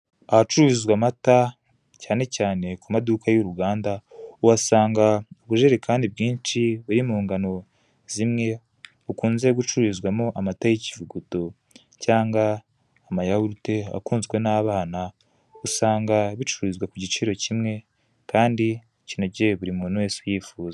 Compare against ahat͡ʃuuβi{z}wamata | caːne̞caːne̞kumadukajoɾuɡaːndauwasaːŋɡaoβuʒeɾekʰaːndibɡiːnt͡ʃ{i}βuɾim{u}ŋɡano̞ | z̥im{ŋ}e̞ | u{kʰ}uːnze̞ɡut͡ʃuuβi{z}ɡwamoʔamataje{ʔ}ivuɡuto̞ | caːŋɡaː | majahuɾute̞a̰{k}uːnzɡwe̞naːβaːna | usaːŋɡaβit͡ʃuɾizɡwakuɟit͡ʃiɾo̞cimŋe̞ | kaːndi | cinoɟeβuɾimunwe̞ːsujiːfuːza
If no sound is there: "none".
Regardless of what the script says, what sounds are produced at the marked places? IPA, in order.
z, i, uː, ŋ, k, z, c, k

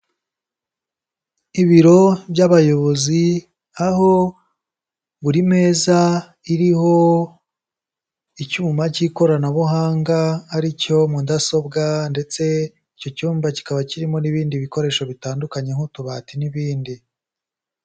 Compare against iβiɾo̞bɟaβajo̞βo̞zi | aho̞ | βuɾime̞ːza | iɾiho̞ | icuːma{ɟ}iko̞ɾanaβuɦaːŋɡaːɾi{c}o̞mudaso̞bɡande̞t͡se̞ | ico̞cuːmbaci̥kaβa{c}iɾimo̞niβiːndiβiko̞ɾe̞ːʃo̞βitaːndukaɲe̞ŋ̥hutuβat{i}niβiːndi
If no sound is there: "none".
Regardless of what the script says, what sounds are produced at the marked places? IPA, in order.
c, c, c, i

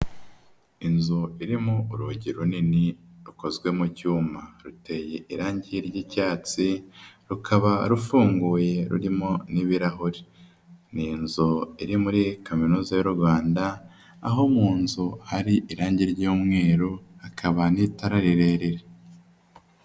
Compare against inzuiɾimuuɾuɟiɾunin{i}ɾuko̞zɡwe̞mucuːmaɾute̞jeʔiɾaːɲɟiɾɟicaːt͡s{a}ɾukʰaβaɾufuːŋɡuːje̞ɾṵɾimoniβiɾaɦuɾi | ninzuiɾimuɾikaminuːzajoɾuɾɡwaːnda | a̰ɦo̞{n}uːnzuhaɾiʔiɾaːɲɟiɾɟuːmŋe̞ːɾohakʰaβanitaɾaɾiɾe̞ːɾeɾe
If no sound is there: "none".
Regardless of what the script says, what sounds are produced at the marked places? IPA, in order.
i, i, m

